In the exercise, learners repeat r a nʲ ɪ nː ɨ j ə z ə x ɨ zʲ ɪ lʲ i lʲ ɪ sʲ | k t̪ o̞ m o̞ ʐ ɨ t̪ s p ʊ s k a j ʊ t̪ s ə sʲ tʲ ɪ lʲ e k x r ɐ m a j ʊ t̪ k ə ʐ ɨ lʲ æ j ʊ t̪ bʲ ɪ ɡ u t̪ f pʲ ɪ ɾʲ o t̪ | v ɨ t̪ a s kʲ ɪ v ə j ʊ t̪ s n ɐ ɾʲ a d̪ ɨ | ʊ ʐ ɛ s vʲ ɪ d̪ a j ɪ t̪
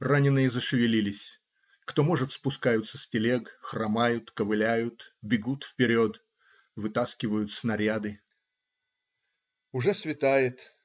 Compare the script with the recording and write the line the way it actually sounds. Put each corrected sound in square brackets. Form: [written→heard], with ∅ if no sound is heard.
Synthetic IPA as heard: r a nʲ ɪ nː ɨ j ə z ə [x→ʂ] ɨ [zʲ→vʲ] ɪ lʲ i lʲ ɪ sʲ | k t̪ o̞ m o̞ ʐ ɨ t̪ s p ʊ s k a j ʊ t̪ s ə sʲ tʲ ɪ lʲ e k x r ɐ m a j ʊ t̪ k ə [ʐ→v] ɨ lʲ æ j ʊ t̪ bʲ ɪ ɡ u t̪ f pʲ ɪ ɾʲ o t̪ | v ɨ t̪ a s kʲ ɪ v ə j ʊ t̪ s n ɐ ɾʲ a d̪ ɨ | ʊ ʐ ɛ s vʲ ɪ [d̪→t̪] a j ɪ t̪